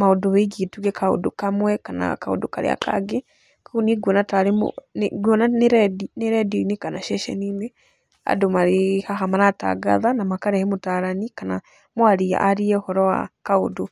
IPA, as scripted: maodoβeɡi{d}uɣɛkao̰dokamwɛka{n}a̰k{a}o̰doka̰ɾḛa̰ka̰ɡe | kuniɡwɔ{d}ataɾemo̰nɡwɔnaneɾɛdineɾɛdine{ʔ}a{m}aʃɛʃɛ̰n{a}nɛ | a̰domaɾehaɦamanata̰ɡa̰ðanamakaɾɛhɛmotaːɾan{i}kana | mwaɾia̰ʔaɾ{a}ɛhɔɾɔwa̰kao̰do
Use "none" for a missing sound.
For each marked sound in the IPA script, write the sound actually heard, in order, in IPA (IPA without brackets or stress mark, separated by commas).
t, n, a, n, k, n, i, i, i